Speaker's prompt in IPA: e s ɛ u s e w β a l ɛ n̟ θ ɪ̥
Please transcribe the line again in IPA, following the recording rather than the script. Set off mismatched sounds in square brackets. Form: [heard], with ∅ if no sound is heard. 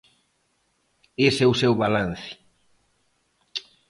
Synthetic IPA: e s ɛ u s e w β a l [a] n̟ θ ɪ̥